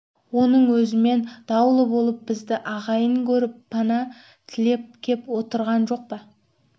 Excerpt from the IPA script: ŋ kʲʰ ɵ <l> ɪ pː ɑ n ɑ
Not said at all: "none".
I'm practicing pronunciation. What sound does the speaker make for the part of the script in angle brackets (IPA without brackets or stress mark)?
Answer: ɾ